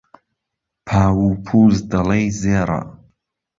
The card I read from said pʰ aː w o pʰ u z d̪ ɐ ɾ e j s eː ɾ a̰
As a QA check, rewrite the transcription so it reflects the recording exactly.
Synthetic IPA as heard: pʰ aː w u pʰ u z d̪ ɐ l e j z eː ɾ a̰

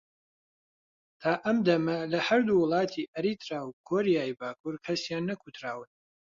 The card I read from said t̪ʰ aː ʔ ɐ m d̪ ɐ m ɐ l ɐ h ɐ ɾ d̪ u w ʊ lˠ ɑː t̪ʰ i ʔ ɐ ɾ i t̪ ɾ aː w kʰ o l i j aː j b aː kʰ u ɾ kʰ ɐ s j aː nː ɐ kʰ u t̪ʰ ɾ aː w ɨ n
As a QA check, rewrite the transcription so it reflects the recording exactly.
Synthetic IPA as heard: t̪ʰ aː ʔ ɐ m d̪ ɐ m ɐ l ɐ h ɐ ɾ d̪ u w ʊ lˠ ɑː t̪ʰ i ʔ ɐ ɾ i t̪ ɾ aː w kʰ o ɾ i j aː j b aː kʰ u ɾ kʰ ɐ s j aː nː ɐ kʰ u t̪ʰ ɾ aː w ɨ n

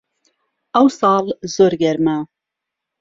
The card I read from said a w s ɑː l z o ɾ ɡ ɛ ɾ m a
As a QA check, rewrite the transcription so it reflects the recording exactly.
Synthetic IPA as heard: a w s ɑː l z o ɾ ɡ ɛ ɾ m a

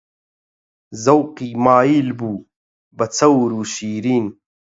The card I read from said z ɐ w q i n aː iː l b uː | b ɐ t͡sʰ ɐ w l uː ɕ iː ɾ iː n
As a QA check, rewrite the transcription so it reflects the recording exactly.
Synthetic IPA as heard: z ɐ w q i m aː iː l b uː | b ɐ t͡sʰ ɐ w ɾ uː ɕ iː ɾ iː n

